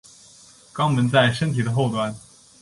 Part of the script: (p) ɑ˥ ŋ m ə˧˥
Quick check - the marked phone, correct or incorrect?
incorrect